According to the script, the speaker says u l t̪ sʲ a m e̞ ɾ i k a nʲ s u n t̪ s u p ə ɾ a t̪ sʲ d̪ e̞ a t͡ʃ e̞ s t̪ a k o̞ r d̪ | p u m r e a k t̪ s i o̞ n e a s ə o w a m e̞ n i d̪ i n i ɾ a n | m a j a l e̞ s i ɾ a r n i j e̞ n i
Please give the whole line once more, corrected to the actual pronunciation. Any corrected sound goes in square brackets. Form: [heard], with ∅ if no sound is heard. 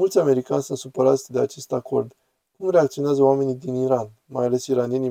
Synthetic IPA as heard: u l t̪ sʲ a m e̞ ɾ i k a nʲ s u n t̪ s u p ə ɾ a t̪ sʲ d̪ e̞ a t͡ʃ e̞ s t̪ a k o̞ r d̪ | [k] u m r e a k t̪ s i o̞ n e a [z] ə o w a m e̞ n i d̪ i n i ɾ a n | m a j a l e̞ s i ɾ a [∅] n i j e̞ n i